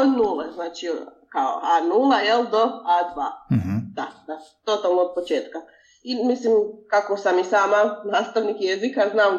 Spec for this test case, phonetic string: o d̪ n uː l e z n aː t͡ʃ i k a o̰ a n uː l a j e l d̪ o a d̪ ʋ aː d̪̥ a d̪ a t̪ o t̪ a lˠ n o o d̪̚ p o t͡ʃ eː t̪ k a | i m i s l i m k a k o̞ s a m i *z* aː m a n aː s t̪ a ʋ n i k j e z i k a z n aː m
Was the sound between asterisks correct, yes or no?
no